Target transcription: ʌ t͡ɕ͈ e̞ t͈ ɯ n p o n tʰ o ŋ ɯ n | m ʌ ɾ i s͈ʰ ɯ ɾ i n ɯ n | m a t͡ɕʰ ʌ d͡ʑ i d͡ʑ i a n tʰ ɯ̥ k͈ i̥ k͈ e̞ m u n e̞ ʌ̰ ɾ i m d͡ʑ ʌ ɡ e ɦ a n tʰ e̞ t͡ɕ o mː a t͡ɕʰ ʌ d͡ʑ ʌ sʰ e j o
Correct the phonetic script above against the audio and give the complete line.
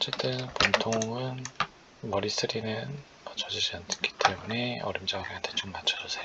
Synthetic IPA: ʌ t͡ɕ͈ e̞ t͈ ɯ n p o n tʰ o ŋ ɯ n | m ʌ ɾ i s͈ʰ ɯ ɾ i n ɯ n | m a t͡ɕʰ ʌ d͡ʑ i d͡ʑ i a n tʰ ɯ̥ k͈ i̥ t͈ e̞ m u n e̞ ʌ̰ ɾ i m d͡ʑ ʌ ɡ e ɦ a n tʰ e̞ t͡ɕ o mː a t͡ɕʰ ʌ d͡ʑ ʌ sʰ e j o